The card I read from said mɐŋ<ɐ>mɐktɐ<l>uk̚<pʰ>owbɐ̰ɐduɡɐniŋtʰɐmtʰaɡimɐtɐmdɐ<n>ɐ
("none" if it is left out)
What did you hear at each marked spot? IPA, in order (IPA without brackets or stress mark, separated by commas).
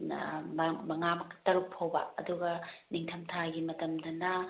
a, ɾ, pʰ, n